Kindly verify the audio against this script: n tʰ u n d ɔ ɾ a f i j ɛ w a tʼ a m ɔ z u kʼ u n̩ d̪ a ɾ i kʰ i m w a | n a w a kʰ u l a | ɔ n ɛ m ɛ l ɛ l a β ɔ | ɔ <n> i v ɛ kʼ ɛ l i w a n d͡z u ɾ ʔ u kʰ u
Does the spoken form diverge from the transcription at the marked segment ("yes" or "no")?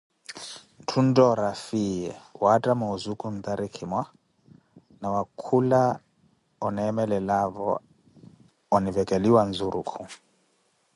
no